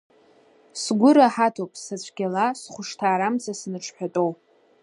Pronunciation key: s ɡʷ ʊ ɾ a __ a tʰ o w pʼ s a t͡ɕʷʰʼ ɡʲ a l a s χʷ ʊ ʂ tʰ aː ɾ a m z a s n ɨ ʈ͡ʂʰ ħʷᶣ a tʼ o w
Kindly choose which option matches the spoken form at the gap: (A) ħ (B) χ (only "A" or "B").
A